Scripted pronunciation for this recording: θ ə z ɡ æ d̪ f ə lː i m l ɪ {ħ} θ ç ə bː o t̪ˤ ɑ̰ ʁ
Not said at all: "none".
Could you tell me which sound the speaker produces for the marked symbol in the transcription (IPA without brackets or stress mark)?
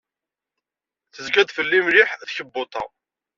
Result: ħ